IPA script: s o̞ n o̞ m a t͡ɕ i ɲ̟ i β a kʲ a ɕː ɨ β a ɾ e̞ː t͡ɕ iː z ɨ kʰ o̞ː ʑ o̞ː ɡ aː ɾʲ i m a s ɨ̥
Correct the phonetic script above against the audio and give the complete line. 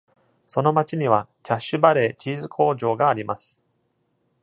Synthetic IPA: s o̞ n o̞ m a t͡ɕ i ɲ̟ i β a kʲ a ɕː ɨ b a ɾ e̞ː t͡ɕ iː z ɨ kʰ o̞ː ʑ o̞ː ɡ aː ɾʲ i m a s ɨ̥

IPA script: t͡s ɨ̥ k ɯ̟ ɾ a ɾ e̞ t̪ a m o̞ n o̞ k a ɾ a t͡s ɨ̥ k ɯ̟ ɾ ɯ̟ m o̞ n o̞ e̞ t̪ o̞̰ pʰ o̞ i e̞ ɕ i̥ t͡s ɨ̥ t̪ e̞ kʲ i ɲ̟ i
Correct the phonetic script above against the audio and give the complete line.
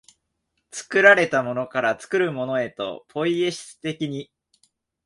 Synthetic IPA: t͡s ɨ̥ k ɯ̟ ɾ a ɾ e̞ t̪ a m o̞ n o̞ k a ɾ a t͡s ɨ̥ k ɯ̟ ɾ ɯ̟ m o̞ n o̞ e̞ t̪ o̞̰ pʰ o̞ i e̞ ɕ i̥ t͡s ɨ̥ t̪ e̞ kʲ i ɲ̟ i

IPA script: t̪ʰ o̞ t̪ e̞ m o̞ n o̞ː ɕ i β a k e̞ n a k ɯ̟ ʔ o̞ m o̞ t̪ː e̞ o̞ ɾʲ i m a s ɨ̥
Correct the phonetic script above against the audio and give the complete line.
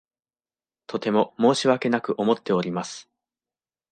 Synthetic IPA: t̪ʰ o̞ t̪ e̞ m o̞ m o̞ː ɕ i β a k e̞ n a k ɯ̟ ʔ o̞ m o̞ t̪ː e̞ o̞ ɾʲ i m a s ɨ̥

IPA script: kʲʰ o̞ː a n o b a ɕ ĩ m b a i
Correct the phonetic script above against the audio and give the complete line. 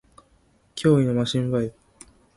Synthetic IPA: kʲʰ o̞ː i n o m a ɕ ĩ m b a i

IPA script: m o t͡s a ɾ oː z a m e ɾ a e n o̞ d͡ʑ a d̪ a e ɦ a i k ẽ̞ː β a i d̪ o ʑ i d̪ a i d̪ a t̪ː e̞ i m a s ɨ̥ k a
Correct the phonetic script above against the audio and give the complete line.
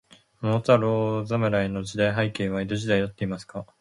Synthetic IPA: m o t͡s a ɾ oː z a m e ɾ a e n o̞ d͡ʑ i d̪ a i ɦ a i k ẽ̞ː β a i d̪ o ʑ i d̪ a i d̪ a t̪ː e̞ i m a s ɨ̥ k a

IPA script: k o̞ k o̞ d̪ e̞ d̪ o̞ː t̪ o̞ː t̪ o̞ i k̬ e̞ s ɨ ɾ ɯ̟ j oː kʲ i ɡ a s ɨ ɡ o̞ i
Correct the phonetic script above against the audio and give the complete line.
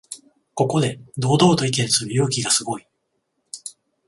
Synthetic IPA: k o̞ k o̞ d̪ e̞ d̪ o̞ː d̪ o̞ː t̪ o̞ i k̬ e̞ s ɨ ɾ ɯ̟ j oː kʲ i ɡ a s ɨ ɡ o̞ i

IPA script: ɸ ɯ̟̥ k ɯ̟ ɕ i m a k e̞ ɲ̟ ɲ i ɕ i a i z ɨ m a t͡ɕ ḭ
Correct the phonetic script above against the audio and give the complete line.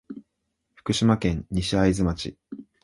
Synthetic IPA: ɸ ɯ̟̥ k ɯ̟ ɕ i m a k ẽ̞ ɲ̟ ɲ i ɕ i a i z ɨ m a t͡ɕ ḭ

